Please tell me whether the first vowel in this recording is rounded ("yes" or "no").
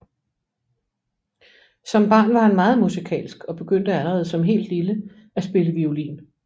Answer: yes